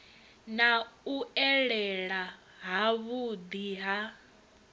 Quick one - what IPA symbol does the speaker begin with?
n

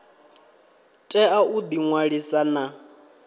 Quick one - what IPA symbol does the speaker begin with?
tʼ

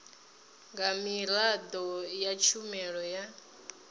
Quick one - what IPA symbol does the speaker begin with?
ŋ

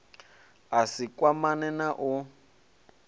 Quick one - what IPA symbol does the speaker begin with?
a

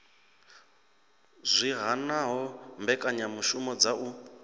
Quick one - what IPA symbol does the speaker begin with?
zʷ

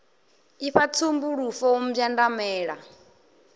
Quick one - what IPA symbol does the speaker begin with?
i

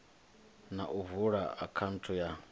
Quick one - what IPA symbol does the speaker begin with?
n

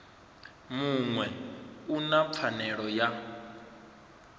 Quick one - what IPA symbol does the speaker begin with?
m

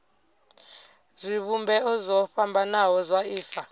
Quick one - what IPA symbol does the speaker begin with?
z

